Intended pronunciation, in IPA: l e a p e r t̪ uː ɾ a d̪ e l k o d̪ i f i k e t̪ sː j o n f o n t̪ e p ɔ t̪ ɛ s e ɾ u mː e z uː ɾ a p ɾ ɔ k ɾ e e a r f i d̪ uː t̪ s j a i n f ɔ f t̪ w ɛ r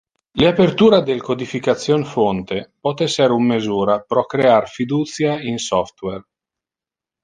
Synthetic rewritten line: l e a p e r t̪ uː ɾ a d̪ e l k o d̪ i f i k a t̪ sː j o n f o n t̪ e p ɔ t̪ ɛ s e ɾ u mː e z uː ɾ a p ɾ ɔ k ɾ e e a r f i d̪ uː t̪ s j a i n s ɔ f t̪ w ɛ r